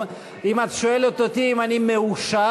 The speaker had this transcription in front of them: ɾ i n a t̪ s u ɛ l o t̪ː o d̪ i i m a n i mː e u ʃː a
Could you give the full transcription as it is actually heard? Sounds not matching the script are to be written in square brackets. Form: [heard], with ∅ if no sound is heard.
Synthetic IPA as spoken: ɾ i [m] a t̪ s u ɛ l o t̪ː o [t̪] i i m a n i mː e u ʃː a